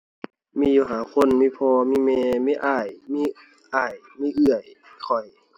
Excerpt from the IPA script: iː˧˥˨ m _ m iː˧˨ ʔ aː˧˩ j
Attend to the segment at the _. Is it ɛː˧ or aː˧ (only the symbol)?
ɛː˧